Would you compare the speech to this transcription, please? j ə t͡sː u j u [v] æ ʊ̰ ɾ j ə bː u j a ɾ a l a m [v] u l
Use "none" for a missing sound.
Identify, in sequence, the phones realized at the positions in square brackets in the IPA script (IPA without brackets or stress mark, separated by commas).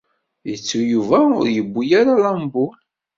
v, b